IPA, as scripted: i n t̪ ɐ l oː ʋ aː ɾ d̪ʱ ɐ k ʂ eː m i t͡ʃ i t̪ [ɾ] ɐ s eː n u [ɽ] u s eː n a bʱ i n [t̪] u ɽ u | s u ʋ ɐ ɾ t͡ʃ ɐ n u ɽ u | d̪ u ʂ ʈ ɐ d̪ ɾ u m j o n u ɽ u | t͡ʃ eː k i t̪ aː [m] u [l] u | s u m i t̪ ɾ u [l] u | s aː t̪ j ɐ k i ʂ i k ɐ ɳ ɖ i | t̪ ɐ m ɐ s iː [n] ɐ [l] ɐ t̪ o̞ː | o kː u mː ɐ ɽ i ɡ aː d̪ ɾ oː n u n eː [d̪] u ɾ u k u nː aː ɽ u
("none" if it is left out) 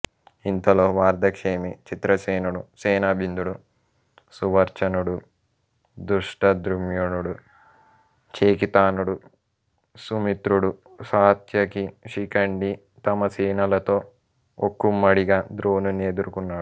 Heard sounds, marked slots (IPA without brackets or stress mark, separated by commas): ɾ, ɽ, d̪, n, ɽ, ɽ, n, l, d̪